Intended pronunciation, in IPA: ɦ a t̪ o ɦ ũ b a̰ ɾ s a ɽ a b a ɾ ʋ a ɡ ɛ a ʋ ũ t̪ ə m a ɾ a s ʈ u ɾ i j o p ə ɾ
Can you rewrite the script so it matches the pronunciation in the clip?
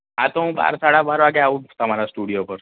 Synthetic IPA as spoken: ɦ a t̪ o ɦ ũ b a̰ ɾ s a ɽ a b a ɾ ʋ a ɡ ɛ a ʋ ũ t̪ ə m a ɾ a s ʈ u ɽ i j o p ə ɾ